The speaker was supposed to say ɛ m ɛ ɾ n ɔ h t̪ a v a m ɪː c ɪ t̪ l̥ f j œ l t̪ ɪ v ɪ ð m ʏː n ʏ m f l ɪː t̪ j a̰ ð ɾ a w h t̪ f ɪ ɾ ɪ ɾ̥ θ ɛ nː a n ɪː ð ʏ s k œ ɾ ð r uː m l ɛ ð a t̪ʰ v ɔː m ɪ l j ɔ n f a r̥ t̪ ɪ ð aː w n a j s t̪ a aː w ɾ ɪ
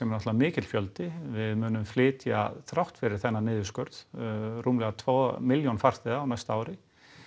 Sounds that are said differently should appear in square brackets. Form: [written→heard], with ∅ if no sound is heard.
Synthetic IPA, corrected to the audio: ɛ m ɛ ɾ n ɔ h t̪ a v a m ɪː c ɪ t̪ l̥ f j œ l t̪ ɪ v ɪ ð m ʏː n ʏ m f l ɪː t̪ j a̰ [ð→θ] ɾ a w h t̪ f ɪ ɾ ɪ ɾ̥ θ ɛ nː a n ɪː ð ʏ s k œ ɾ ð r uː m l ɛ [ð→ɣ] a t̪ʰ v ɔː m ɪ l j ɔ n f a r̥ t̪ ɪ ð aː w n a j s t̪ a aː w ɾ ɪ

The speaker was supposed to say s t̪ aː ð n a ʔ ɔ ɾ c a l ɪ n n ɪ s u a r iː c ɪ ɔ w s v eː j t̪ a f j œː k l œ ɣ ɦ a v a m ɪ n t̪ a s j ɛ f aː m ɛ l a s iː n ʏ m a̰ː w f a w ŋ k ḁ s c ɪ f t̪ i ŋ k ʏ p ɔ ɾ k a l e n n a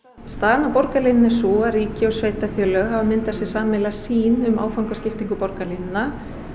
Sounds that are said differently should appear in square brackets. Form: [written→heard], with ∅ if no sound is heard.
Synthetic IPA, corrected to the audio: s t̪ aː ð n a [ʔ→p] ɔ ɾ [c→k] a l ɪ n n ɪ s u a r iː c ɪ ɔ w s v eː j t̪ a f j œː [k→∅] l œ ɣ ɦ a v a m ɪ n t̪ a s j ɛ [f→s] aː m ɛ l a s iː n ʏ m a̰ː w f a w ŋ k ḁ s c ɪ f t̪ i ŋ k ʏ p ɔ ɾ k a l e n n a

